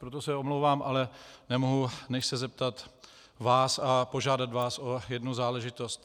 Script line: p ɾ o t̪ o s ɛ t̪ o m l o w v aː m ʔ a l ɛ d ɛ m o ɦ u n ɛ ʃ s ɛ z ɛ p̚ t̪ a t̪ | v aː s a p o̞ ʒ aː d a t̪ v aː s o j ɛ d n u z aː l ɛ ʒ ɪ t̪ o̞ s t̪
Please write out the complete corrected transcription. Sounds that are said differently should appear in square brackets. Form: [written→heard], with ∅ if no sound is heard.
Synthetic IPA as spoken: p ɾ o t̪ o s ɛ [t̪→∅] o m l o w v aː m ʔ a l ɛ [d→n] ɛ m o ɦ u n ɛ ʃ s ɛ z ɛ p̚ t̪ a t̪ | v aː s a p o̞ ʒ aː d a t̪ v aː s o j ɛ d n u z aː l ɛ ʒ ɪ t̪ o̞ s t̪